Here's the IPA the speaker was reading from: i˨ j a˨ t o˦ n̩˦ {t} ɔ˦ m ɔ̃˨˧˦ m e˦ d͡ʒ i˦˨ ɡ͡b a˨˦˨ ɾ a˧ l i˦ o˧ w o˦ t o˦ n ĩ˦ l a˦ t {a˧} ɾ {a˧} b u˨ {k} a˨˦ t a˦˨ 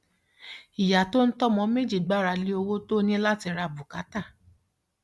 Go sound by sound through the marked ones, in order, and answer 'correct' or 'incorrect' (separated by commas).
correct, incorrect, correct, correct